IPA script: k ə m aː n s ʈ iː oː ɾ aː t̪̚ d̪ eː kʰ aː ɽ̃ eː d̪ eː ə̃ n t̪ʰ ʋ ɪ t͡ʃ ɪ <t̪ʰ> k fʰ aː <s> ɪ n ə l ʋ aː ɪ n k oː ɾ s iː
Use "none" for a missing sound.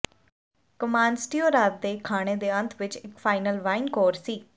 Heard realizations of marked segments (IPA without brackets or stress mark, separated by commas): none, none